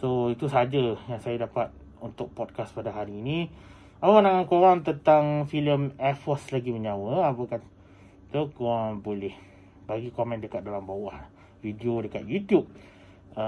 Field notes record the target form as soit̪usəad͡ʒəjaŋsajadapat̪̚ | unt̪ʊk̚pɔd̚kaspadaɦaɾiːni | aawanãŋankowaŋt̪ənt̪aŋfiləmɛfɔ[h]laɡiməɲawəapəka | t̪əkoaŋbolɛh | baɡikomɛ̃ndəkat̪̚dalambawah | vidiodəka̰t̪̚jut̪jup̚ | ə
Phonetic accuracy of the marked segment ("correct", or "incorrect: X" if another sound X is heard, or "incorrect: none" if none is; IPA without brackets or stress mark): incorrect: s